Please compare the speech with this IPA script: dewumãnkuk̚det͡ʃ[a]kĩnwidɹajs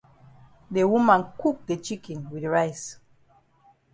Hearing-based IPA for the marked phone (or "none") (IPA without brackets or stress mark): i